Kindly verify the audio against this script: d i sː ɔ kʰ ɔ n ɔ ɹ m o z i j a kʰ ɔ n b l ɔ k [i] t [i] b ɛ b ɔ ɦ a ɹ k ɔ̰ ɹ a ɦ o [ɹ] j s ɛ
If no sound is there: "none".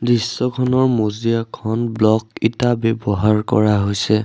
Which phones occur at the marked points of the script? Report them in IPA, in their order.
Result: i, a, none

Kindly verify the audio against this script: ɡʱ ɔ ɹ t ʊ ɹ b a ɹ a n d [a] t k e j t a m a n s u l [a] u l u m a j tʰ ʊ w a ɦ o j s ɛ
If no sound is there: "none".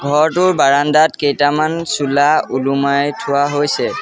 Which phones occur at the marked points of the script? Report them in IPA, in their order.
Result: a, a

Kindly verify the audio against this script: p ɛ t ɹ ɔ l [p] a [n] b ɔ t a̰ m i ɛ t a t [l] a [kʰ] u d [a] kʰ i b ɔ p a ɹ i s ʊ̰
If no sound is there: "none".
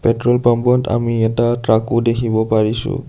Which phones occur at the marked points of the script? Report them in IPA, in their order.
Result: p, m, ɹ, k, e

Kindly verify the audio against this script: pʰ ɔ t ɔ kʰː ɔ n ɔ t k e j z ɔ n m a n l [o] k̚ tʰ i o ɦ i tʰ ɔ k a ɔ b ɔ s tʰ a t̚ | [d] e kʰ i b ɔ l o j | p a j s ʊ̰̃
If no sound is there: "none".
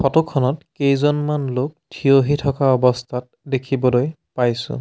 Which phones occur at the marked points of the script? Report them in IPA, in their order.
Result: o, d

